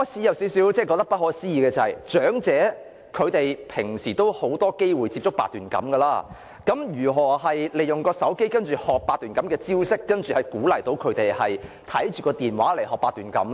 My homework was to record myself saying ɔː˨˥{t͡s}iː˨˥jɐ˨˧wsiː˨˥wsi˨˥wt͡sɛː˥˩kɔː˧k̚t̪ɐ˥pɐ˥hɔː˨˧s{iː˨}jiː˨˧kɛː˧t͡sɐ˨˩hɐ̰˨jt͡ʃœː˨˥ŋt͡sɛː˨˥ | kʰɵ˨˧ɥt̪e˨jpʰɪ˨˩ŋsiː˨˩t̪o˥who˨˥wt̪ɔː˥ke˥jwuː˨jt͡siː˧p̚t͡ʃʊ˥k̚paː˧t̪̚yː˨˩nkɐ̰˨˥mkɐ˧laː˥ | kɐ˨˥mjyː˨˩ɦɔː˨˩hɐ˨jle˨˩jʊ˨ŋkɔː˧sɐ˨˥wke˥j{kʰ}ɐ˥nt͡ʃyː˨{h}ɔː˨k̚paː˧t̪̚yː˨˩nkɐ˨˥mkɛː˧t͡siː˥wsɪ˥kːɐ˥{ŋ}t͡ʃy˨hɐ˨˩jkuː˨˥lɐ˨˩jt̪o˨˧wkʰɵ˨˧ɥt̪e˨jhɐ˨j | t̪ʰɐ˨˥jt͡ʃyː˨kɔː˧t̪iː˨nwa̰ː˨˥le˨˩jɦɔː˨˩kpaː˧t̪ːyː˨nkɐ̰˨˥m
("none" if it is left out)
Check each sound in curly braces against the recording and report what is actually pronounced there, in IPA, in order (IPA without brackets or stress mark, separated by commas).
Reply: t͡sʰ, iː˥, k, h, n